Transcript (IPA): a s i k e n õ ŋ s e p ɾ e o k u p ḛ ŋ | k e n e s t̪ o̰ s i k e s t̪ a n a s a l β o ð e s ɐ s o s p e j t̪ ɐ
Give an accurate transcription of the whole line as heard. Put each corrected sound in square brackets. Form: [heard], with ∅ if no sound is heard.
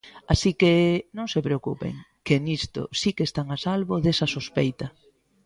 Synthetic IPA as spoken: a s i k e n õ ŋ s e p ɾ e o k u p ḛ ŋ | k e n [i] s t̪ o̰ s i k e s t̪ a [ŋ] a s a l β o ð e s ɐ s o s p e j t̪ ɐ